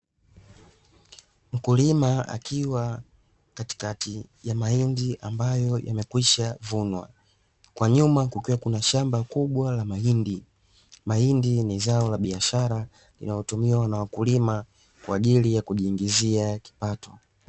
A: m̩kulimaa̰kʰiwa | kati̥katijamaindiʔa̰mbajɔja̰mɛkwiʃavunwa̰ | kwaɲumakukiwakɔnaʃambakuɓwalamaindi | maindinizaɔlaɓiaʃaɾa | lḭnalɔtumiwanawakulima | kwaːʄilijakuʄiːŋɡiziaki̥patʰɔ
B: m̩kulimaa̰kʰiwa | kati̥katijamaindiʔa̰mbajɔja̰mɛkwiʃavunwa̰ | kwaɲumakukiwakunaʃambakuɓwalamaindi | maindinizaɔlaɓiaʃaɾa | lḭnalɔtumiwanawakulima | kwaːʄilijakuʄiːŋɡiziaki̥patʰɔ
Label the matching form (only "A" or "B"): B